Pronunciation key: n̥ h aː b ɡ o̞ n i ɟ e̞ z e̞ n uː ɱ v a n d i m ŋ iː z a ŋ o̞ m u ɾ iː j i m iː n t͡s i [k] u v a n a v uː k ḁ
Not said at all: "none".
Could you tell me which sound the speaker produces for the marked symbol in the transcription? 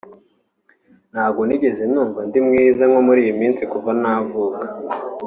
k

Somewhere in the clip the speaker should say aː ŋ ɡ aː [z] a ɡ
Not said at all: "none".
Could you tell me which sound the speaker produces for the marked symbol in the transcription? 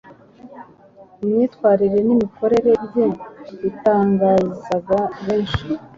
z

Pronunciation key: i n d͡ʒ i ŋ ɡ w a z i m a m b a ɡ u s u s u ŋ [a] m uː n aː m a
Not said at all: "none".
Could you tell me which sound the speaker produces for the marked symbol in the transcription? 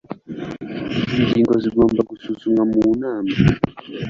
a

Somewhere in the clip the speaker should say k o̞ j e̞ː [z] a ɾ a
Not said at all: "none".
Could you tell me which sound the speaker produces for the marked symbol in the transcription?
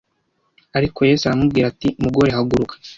s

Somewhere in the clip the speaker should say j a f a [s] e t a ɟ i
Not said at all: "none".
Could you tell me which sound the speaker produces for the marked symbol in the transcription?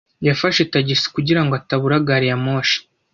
ʃ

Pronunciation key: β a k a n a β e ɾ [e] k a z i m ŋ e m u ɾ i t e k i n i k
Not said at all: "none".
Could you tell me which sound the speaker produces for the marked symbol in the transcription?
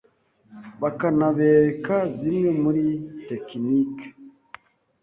e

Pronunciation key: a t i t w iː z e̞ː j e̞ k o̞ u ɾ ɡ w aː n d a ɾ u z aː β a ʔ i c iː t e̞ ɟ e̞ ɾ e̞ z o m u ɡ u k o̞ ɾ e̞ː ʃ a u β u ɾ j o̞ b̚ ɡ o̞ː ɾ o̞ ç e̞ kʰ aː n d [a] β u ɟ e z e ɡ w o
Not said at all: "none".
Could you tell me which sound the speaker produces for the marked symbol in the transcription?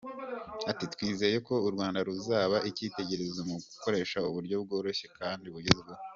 i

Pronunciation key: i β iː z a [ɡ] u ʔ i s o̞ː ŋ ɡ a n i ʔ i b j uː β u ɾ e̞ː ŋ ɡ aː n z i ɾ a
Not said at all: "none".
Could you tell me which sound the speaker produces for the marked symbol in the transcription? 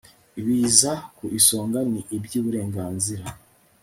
k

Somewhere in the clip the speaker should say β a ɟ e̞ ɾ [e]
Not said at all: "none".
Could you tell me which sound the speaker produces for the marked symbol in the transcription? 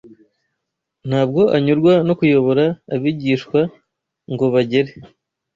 e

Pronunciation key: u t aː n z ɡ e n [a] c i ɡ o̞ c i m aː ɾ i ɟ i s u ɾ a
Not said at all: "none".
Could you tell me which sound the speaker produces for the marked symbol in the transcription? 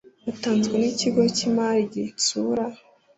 i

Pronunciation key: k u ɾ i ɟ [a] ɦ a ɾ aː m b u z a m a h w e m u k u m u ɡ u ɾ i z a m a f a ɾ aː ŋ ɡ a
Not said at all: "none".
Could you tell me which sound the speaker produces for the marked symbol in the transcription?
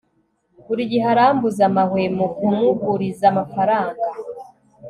i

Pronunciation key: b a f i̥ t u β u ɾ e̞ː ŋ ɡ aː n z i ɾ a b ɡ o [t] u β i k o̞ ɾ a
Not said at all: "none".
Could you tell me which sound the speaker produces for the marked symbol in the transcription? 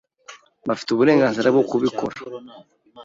k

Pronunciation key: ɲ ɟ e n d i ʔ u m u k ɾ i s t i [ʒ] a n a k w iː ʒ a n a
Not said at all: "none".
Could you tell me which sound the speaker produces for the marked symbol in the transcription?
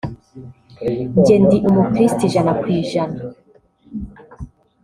ʒ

